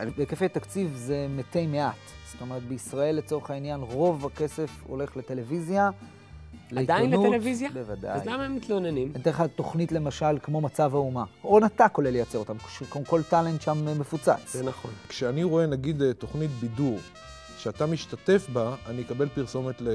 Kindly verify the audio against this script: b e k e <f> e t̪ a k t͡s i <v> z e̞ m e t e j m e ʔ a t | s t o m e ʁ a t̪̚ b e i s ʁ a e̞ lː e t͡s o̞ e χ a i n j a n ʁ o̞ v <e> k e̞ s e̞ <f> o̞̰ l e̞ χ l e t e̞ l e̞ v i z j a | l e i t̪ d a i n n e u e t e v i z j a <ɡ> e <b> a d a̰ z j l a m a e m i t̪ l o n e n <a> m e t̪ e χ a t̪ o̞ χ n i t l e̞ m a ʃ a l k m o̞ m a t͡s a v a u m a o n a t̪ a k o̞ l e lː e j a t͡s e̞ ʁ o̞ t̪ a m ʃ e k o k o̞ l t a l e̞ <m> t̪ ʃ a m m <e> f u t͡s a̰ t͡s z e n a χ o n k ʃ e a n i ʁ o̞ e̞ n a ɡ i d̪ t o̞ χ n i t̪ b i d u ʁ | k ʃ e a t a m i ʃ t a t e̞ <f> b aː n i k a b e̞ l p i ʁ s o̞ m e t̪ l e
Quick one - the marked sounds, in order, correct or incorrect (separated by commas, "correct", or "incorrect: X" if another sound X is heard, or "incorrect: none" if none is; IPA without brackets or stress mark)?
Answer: correct, correct, incorrect: a, correct, incorrect: b, incorrect: v, incorrect: i, incorrect: n, correct, correct